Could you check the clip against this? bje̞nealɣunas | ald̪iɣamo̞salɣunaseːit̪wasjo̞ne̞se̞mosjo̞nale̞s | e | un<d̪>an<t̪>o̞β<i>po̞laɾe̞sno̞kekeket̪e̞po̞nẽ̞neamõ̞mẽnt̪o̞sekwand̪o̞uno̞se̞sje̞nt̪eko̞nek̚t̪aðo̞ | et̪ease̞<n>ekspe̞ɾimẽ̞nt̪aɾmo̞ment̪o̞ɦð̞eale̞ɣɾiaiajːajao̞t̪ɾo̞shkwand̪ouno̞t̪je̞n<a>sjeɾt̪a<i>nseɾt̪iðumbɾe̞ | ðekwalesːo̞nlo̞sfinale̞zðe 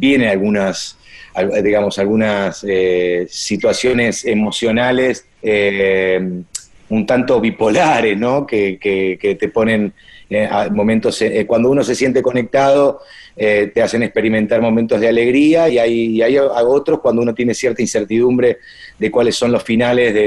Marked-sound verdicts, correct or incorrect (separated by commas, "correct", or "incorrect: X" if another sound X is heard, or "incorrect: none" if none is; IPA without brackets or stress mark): incorrect: t̪, correct, correct, correct, incorrect: e, correct